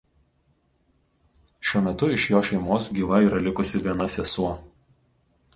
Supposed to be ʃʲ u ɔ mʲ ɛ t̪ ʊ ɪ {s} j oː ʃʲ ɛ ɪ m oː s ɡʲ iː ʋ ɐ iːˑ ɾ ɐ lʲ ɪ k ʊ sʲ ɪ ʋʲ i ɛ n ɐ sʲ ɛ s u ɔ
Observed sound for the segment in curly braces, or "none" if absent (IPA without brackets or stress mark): ʃ